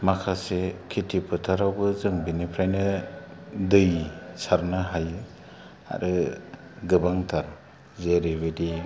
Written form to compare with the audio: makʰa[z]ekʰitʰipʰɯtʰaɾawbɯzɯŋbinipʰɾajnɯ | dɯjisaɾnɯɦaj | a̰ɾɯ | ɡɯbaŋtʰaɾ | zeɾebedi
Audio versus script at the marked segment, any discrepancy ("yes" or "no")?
yes